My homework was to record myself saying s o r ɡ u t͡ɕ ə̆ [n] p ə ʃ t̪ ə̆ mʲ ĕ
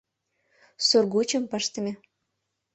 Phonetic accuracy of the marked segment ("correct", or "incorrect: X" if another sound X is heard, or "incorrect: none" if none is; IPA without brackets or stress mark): incorrect: m